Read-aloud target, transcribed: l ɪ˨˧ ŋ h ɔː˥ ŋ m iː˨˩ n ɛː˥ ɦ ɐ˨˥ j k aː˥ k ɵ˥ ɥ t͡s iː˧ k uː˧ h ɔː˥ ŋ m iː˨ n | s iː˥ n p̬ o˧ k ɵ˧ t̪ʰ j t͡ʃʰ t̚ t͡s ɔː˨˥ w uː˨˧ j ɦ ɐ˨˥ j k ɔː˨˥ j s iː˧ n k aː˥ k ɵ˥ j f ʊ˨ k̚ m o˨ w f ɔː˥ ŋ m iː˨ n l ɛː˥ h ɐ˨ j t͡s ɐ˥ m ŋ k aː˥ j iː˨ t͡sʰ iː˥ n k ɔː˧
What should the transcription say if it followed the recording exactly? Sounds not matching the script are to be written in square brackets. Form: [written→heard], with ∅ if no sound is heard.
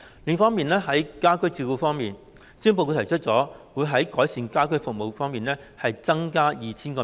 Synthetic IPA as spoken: l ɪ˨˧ ŋ [h→f] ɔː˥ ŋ m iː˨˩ n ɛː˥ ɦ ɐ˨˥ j k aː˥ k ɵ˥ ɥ t͡s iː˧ k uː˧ [h→f] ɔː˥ ŋ m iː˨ n | s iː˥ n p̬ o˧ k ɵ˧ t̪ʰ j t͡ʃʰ t̚ t͡s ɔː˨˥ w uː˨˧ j ɦ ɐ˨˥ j k ɔː˨˥ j s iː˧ n k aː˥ k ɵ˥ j f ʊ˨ k̚ m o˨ w f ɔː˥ ŋ m iː˨ n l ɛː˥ h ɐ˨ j t͡s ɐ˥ [m→∅] ŋ k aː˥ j iː˨ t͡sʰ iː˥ n k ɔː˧